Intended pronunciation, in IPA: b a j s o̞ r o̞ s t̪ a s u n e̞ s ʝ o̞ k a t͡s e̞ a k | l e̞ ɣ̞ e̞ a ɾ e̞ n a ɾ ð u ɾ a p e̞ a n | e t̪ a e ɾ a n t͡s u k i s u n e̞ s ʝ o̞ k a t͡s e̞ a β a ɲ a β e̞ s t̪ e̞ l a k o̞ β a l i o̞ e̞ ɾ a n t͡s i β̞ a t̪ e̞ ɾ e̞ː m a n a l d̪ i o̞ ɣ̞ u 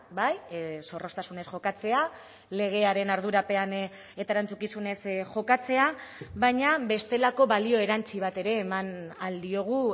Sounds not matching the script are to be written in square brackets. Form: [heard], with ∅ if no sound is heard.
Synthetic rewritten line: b a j s o̞ r o̞ s t̪ a s u n e̞ s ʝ o̞ k a t͡s e̞ a [∅] | l e̞ ɣ̞ e̞ a ɾ e̞ n a ɾ ð u ɾ a p e̞ a n | e t̪ a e ɾ a n t͡s u k i s u n e̞ s ʝ o̞ k a t͡s e̞ a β a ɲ a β e̞ s t̪ e̞ l a k o̞ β a l i o̞ e̞ ɾ a n t͡s i β̞ a t̪ e̞ ɾ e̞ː m a n a l d̪ i o̞ ɣ̞ u